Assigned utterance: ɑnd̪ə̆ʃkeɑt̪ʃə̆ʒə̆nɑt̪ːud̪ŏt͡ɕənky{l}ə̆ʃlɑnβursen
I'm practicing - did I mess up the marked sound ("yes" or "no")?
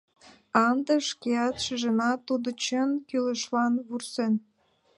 no